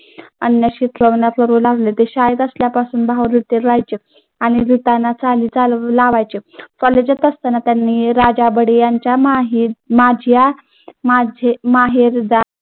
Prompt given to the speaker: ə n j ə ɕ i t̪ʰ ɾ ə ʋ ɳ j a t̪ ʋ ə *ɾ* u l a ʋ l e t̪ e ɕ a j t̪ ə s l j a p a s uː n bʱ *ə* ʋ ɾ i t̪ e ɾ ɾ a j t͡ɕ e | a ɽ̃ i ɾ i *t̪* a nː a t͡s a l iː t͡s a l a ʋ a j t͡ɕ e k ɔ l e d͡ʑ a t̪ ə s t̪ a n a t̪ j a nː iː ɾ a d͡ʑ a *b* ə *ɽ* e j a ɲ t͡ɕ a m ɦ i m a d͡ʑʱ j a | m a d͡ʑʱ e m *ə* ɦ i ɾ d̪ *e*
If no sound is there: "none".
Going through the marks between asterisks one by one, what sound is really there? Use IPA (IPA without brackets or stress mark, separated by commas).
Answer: ɾ, a, t̪, b, ɽ, a, a